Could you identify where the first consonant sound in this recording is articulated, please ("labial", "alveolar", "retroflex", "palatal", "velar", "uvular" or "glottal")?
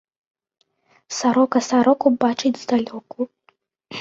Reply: alveolar